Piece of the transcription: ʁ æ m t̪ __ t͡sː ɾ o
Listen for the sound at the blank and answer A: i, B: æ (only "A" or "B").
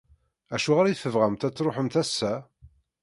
B